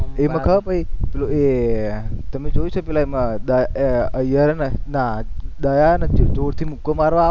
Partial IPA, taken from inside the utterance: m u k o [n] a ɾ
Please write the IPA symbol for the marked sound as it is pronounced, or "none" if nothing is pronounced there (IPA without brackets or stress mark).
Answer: m